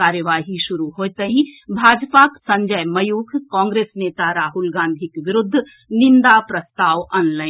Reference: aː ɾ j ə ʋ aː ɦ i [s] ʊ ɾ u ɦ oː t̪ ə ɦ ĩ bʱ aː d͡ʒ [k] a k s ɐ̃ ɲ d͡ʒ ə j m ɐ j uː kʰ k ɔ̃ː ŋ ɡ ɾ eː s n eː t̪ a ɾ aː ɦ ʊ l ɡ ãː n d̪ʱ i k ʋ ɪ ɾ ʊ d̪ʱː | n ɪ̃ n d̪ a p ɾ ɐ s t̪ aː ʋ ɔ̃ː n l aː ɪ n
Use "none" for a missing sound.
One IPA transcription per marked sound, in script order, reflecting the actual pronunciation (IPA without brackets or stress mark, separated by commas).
ʃ, p